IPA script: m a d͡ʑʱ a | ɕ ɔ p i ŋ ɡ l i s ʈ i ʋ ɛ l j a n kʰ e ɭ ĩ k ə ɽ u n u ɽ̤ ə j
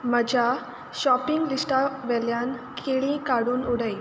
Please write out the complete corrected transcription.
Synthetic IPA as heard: m ə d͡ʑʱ a | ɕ ɔ p i ŋ ɡ l i s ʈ a ʋ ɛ l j a n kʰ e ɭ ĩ k a ɽ uː n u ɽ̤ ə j